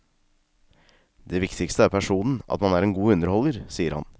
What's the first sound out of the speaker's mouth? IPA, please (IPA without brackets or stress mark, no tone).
d̪